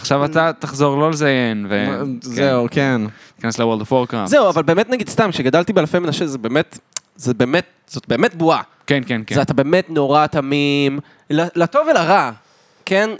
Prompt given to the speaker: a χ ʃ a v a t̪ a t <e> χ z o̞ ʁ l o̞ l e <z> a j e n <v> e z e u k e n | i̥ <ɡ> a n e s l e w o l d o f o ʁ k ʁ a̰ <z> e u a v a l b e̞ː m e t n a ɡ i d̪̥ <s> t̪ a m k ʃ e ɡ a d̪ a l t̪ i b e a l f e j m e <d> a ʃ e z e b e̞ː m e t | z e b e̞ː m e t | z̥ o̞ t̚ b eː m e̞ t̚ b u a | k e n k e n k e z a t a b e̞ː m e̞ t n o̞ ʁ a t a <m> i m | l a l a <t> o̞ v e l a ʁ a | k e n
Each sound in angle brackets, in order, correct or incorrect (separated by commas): incorrect, correct, correct, incorrect, correct, correct, incorrect, correct, correct